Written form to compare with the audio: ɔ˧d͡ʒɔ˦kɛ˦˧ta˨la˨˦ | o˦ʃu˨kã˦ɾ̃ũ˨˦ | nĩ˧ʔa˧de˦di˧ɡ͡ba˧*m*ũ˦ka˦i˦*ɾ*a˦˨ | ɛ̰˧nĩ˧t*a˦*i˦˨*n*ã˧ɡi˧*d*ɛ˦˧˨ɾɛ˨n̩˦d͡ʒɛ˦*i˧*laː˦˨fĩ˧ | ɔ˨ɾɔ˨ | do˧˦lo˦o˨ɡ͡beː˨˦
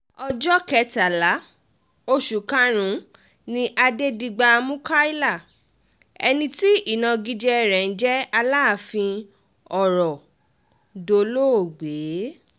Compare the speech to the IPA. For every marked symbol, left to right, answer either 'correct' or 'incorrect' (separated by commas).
correct, incorrect, incorrect, correct, incorrect, incorrect